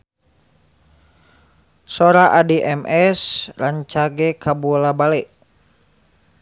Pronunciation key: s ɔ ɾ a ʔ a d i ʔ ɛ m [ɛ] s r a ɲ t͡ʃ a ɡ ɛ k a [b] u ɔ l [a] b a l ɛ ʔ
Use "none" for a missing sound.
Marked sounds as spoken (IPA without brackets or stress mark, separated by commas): ɛ, b, a